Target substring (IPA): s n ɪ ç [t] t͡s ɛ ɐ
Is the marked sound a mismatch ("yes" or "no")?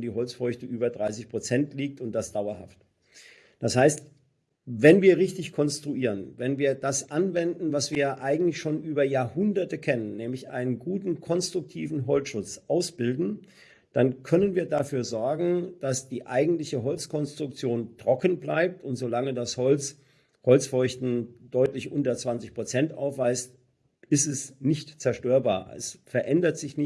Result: no